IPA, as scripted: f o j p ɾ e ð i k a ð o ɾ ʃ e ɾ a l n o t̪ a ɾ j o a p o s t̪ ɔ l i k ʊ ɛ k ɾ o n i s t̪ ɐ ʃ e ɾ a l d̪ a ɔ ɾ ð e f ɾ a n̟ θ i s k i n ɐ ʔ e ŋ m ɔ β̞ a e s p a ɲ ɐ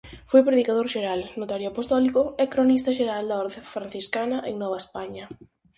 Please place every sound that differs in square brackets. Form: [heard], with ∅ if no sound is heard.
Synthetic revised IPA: f o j p ɾ e ð i k a ð o ɾ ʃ e ɾ a l n o t̪ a ɾ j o a p o s t̪ ɔ l i k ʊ ɛ k ɾ o n i s t̪ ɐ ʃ e ɾ a l d̪ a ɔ ɾ ð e f ɾ a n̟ θ i s k [a] n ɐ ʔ e ŋ [n] ɔ β̞ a e s p a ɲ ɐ